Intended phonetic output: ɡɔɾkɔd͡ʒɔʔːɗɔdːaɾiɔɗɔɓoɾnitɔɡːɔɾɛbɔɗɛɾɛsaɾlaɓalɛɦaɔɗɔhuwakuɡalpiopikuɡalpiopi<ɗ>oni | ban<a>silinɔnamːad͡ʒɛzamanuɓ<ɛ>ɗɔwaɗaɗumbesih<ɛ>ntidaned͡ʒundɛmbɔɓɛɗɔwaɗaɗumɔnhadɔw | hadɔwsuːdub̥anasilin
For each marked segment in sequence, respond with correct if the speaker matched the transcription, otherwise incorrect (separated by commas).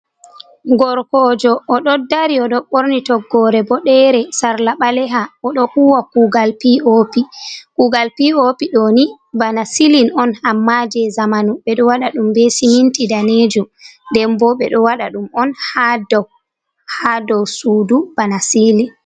correct, correct, correct, incorrect